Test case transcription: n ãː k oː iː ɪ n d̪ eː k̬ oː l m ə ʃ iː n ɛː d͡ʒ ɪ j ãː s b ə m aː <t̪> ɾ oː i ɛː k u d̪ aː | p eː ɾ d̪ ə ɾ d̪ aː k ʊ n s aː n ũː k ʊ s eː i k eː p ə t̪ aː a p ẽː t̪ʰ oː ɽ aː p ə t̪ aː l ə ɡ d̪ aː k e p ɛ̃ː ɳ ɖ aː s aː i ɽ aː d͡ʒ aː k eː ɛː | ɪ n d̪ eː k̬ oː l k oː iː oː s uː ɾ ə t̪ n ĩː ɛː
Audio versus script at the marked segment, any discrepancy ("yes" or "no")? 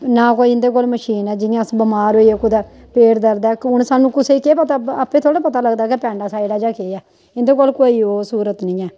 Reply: yes